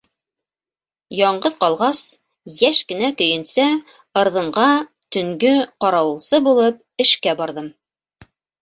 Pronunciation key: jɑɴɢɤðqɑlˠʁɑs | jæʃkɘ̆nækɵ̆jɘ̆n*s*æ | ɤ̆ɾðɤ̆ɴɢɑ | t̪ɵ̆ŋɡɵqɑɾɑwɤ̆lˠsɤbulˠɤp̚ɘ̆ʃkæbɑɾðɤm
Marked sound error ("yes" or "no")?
no